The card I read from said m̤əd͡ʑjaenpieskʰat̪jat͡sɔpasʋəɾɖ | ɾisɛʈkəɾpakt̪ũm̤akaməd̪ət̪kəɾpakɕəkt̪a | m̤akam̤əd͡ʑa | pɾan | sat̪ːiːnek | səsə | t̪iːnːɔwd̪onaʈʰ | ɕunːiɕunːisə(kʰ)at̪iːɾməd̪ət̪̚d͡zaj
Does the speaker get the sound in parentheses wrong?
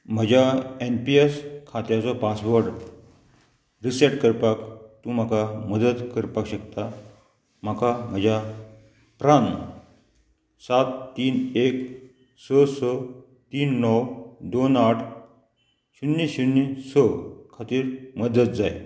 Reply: no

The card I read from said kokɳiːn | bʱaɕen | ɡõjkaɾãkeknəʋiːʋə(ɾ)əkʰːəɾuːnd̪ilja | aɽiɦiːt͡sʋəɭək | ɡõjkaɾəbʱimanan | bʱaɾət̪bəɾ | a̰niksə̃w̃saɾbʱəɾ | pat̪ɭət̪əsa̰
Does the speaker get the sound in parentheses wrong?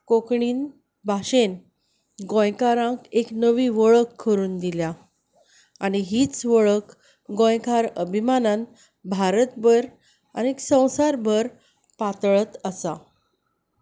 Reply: yes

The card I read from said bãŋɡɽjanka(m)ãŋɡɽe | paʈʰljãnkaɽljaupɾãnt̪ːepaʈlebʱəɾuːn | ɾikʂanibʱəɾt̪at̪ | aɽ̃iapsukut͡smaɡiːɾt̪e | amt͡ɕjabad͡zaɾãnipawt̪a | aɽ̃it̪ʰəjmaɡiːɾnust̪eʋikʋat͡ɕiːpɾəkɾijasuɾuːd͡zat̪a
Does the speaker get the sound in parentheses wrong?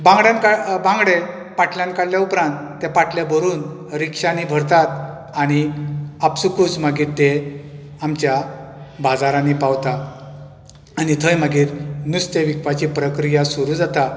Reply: yes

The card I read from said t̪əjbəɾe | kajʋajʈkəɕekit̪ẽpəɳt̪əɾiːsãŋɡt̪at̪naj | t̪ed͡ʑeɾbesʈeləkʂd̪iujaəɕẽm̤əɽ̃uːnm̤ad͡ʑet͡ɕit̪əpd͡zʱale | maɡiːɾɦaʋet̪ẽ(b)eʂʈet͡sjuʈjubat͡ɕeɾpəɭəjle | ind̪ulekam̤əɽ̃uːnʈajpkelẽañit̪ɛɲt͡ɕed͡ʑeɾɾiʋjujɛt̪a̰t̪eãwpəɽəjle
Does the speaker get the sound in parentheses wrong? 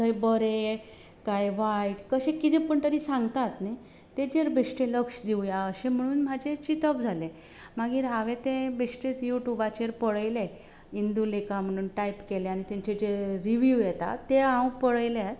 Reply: no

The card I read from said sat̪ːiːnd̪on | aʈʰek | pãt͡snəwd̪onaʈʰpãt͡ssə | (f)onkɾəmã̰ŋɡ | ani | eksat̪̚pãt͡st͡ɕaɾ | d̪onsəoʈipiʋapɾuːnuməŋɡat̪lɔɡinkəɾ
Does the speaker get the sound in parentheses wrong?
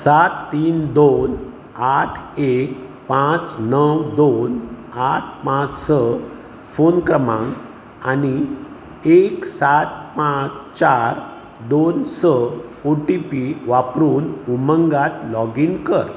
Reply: no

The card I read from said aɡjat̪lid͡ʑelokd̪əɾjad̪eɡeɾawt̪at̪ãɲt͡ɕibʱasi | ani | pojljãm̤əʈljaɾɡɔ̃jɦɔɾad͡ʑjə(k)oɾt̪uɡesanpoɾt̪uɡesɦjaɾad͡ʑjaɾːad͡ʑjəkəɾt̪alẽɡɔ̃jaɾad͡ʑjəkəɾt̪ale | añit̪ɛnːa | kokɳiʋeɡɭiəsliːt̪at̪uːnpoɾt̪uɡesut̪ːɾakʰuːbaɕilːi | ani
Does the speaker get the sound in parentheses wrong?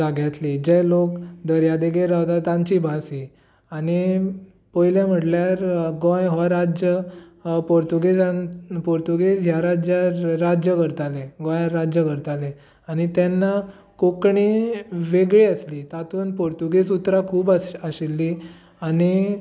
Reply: yes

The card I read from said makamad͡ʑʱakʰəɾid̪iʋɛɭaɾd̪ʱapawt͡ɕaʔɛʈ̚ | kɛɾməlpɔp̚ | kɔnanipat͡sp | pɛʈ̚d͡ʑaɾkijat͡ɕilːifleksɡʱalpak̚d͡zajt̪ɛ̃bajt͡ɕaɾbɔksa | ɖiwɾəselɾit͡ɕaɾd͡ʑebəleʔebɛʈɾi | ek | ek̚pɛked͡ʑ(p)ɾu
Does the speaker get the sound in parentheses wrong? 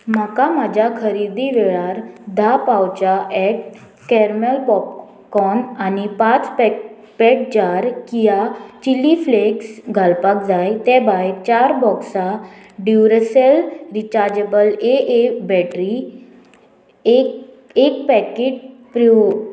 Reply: no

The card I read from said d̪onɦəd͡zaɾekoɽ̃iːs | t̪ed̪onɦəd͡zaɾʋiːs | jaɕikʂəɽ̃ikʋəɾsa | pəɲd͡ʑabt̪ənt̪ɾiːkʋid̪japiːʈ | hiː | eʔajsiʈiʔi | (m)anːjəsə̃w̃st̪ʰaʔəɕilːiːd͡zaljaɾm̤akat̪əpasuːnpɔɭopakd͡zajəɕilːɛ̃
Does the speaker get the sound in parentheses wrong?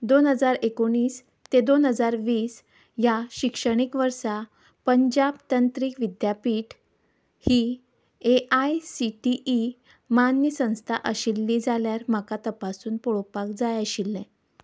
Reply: no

